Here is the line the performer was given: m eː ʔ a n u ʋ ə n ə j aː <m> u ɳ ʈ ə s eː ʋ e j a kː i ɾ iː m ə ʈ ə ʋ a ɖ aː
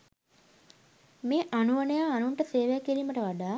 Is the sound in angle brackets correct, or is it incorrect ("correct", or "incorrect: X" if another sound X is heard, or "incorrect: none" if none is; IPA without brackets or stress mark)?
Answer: incorrect: n